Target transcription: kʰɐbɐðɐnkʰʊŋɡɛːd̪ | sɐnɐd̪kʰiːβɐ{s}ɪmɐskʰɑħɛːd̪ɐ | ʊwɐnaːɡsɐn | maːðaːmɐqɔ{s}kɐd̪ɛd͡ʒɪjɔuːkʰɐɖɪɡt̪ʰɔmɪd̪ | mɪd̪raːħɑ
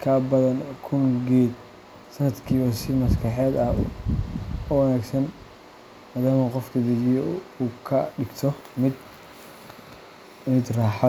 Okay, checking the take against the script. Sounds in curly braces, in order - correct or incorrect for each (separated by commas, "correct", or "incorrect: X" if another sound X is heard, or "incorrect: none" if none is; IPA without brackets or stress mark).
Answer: correct, incorrect: f